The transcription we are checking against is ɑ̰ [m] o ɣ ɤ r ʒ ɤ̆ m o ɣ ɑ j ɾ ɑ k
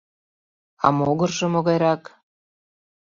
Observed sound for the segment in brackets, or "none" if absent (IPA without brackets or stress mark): m